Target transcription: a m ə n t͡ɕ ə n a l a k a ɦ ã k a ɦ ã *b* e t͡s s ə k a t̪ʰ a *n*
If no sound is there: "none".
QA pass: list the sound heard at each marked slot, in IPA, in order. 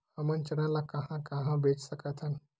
b, n

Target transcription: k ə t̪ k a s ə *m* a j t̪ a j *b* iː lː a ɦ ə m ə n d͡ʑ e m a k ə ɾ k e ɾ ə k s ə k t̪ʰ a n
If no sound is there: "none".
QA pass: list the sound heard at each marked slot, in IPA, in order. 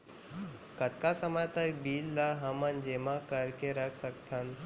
m, b

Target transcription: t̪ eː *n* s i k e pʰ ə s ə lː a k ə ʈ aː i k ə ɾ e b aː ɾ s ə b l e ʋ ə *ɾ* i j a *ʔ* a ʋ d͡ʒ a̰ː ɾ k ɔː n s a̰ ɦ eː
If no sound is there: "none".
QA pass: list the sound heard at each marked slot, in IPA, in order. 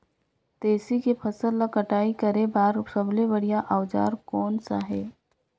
none, ɽ, ʔ

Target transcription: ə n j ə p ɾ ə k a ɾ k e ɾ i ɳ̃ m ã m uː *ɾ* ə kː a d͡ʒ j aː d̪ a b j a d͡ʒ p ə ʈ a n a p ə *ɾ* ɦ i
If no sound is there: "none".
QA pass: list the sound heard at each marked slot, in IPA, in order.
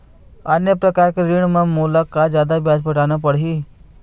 l, ɽ

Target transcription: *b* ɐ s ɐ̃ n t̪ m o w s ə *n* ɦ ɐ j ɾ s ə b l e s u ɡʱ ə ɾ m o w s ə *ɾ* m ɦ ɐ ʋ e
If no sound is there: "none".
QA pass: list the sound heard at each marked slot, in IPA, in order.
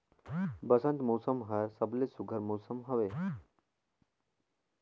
b, m, none

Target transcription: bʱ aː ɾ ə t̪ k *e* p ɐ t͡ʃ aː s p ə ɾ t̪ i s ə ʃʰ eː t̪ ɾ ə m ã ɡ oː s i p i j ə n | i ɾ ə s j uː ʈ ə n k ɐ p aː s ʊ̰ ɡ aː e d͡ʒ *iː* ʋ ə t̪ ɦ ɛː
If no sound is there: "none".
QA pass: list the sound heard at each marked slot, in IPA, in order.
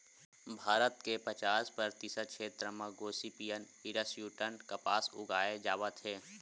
e, aː

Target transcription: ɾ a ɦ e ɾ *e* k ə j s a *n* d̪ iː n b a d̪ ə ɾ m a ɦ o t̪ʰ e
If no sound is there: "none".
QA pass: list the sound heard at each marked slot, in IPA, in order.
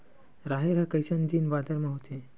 a, n

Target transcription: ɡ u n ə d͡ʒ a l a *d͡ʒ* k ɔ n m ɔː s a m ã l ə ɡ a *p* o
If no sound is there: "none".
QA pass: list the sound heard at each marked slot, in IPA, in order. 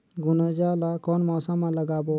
none, b

